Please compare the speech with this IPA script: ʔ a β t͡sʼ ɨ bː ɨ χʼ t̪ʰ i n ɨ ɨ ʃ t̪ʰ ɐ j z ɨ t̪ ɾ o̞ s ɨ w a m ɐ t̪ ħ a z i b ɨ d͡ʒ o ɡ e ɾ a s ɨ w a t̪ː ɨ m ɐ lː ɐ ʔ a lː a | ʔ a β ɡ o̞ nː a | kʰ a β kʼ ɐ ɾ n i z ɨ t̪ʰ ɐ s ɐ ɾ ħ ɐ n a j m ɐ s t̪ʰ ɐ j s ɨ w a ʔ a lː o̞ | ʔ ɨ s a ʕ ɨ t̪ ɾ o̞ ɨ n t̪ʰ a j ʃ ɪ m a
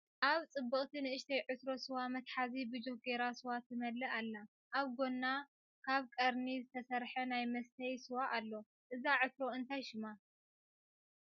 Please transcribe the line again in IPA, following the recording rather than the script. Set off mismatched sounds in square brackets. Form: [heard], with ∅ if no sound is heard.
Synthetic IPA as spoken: ʔ a β t͡sʼ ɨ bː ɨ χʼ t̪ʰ i n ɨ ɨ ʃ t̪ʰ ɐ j [ʕ] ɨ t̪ ɾ o̞ s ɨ w a m ɐ t̪ ħ a z i b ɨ d͡ʒ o ɡ e ɾ a s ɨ w a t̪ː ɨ m ɐ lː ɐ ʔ a lː a | ʔ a β ɡ o̞ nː a | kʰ a β kʼ ɐ ɾ n i z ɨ t̪ʰ ɐ s ɐ ɾ ħ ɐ n a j m ɐ s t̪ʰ ɐ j s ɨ w a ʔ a lː o̞ | ʔ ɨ [z] a ʕ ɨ t̪ ɾ o̞ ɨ n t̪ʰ a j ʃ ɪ m a